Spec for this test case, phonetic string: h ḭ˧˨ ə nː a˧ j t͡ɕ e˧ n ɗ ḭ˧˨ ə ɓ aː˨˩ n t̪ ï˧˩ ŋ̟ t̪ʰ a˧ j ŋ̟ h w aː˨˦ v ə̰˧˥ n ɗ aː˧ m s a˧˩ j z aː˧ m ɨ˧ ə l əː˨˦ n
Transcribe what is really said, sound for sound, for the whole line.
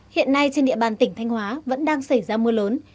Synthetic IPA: h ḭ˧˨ ə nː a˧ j t͡ɕ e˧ n ɗ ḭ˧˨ ə ɓ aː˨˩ n t̪ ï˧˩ ŋ̟ t̪ʰ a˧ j ŋ̟ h w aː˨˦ v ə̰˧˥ n ɗ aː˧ ŋ s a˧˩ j z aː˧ m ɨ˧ ə l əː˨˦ n